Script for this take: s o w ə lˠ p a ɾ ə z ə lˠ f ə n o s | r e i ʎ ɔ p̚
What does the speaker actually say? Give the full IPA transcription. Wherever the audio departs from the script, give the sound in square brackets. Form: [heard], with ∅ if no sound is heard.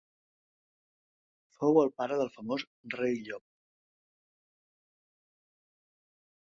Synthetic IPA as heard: [f] o w ə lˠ p a ɾ ə [ð] ə lˠ f ə [m] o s | r e [j] ʎ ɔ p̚